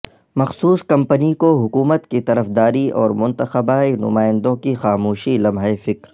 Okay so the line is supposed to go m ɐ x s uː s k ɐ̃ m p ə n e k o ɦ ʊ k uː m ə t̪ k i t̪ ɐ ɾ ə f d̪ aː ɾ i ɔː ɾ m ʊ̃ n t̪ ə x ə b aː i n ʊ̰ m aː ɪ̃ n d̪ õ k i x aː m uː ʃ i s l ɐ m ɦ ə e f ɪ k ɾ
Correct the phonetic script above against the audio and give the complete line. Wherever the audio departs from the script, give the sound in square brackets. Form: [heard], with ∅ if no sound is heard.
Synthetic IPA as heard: m ɐ x s uː s k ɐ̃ m p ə n [i] k o ɦ ʊ k uː m ə t̪ k i t̪ ɐ ɾ ə f d̪ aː ɾ i ɔː ɾ m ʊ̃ n t̪ ə x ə b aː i n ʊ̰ m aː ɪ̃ n d̪ õ k i x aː m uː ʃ i [∅] l ɐ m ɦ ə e f ɪ k ɾ